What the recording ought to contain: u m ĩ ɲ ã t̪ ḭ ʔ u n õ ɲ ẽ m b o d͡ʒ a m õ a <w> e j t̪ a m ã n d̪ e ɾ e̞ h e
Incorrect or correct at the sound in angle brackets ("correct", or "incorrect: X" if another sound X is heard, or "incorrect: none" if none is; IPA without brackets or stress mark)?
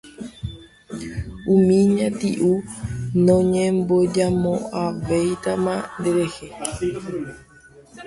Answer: incorrect: ʋ